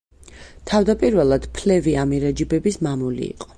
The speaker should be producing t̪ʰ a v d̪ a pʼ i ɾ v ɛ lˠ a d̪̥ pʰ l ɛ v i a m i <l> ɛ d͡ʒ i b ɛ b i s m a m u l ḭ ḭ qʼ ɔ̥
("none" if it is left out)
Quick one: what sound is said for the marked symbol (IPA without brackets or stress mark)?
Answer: ɾ